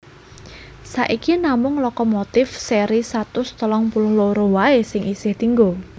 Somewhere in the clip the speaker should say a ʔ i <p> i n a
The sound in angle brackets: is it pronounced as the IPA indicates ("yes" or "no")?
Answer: no